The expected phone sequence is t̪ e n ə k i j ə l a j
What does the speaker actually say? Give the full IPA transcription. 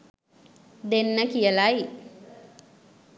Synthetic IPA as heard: d̪ e nː ə k i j ə l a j